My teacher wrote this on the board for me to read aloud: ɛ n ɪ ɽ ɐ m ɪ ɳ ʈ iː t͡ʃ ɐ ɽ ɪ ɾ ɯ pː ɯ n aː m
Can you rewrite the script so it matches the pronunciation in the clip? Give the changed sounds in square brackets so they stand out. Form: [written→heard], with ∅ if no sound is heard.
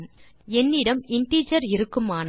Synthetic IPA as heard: ɛ [n→nː] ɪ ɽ ɐ m ɪ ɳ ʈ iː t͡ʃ ɐ [ɽ→ɾ] ɪ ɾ ɯ [pː→kː] ɯ [n→m] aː [m→n]